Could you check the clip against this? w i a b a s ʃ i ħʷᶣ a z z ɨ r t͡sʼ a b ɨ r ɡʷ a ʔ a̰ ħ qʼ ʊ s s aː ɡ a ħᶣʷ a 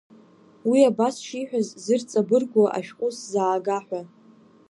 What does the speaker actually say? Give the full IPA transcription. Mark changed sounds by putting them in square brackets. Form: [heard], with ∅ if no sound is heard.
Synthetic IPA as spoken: w i a b a s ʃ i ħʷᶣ a z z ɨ r t͡sʼ a b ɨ r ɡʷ a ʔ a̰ [ʃ] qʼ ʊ s [z] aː ɡ a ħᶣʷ a